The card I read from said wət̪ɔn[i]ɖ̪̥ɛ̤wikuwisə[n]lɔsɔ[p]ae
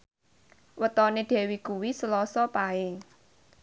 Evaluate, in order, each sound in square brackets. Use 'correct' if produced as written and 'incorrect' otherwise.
incorrect, incorrect, correct

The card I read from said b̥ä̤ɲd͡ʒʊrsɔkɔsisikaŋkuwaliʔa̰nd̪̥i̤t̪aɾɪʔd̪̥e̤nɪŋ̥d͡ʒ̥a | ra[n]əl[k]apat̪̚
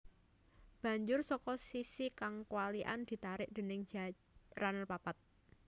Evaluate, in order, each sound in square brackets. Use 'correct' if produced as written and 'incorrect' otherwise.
correct, incorrect

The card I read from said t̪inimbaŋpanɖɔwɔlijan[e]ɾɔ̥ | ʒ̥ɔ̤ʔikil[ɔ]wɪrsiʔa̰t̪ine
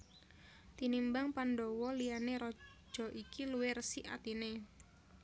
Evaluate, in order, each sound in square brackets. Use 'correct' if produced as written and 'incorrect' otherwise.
correct, incorrect

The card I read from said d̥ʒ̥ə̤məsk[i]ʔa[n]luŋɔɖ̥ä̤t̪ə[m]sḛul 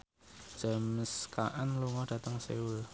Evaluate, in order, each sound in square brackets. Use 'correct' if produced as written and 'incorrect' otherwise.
incorrect, correct, incorrect

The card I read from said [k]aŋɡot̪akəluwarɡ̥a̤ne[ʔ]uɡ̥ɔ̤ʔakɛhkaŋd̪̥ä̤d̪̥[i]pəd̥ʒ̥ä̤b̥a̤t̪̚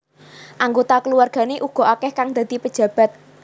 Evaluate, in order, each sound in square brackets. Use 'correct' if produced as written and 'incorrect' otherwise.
incorrect, correct, correct

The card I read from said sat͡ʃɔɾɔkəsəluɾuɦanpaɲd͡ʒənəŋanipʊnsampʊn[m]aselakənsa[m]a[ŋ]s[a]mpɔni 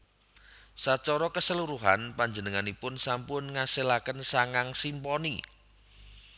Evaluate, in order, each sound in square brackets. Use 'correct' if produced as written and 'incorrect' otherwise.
incorrect, incorrect, correct, incorrect

